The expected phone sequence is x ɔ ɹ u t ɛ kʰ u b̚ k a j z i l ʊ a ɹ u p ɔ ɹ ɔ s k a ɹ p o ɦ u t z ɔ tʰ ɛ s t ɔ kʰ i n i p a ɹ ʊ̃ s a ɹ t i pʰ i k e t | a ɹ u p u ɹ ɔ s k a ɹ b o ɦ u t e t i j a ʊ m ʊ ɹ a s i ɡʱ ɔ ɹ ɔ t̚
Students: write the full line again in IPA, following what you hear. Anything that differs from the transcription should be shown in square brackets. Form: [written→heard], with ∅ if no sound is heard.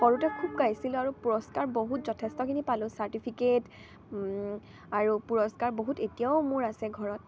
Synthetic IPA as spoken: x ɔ ɹ u t ɛ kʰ u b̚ k a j [z→s] i l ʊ a ɹ u p [ɔ→u] ɹ ɔ s k a ɹ [p→b] o ɦ u t z ɔ tʰ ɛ s t ɔ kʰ i n i p a [ɹ→l] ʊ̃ s a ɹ t i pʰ i k e t | a ɹ u p u ɹ ɔ s k a ɹ b o ɦ u t e t i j a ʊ m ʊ ɹ a s [i→ɛ] ɡʱ ɔ ɹ ɔ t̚